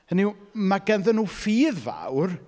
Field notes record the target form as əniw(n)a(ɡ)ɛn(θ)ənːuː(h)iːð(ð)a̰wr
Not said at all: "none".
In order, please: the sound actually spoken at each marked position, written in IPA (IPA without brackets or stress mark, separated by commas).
m, ɡ, ð, f, v